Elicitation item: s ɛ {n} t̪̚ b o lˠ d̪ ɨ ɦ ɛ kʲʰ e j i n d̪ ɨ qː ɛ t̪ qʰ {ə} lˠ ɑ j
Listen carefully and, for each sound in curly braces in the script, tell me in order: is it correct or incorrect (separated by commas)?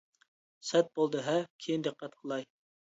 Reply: incorrect, correct